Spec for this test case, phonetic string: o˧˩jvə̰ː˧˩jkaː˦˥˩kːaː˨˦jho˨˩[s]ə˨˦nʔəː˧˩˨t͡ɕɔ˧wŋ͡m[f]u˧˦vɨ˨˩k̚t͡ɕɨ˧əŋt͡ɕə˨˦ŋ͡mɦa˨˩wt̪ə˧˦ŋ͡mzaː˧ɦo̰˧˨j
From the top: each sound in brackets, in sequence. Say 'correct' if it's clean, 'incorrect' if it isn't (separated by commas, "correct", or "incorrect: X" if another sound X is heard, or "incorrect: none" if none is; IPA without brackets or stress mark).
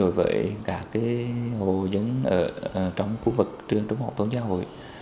incorrect: z, incorrect: x